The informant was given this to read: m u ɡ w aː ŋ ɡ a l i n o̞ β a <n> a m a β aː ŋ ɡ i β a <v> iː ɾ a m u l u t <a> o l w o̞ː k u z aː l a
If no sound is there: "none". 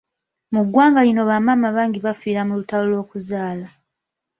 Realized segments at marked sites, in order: m, f, a

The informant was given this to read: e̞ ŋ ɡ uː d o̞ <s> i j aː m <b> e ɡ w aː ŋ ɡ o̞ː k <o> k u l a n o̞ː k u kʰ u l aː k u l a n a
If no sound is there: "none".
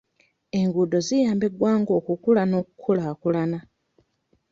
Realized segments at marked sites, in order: z, b, u

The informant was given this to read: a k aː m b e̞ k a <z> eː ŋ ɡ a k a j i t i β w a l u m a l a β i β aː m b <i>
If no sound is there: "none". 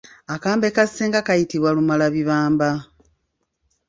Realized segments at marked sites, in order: s, a

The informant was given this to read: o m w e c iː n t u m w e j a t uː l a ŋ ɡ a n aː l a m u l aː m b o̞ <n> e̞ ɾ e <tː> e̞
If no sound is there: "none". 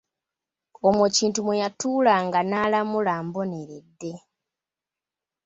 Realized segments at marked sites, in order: n, dː

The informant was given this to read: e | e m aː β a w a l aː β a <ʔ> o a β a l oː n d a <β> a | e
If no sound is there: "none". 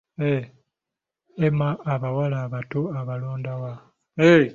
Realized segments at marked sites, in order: t, w

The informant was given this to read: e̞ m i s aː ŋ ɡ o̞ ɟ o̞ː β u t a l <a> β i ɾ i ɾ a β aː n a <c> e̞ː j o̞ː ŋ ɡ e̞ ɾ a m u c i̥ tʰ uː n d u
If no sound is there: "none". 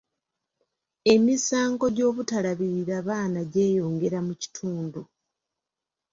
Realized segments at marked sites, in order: a, ɟ

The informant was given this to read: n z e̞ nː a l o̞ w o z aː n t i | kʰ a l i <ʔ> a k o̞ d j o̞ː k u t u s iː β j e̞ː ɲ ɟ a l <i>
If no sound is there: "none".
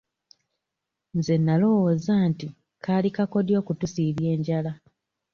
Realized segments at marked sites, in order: k, a

